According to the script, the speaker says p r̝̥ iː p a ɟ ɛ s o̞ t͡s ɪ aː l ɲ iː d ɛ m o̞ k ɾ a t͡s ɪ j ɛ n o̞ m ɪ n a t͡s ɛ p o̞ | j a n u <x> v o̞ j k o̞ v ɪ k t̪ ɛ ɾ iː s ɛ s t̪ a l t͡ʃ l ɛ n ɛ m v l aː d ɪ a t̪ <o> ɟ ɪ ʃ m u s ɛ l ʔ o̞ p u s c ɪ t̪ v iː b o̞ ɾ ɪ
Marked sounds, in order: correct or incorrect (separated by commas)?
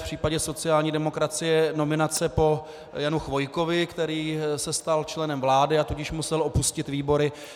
correct, incorrect